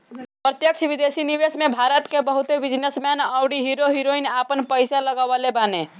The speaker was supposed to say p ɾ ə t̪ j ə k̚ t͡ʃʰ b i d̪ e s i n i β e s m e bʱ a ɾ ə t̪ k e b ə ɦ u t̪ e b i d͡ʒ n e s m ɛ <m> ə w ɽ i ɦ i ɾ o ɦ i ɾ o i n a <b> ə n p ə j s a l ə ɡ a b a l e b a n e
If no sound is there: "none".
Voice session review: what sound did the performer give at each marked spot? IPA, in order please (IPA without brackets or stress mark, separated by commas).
n, p